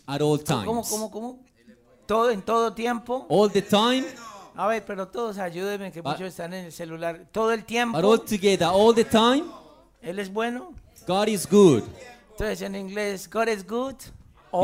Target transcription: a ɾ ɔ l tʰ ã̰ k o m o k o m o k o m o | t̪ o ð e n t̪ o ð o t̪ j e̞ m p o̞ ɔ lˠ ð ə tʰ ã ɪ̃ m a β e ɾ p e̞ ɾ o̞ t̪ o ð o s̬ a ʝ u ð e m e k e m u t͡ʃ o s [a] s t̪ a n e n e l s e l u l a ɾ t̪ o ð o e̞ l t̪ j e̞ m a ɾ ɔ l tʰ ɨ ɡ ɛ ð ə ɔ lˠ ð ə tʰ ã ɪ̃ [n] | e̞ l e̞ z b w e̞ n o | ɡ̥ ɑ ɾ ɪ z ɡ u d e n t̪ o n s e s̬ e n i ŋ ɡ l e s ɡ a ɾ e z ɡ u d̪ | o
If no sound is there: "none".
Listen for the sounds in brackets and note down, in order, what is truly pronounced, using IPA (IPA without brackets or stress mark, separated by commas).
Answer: e, m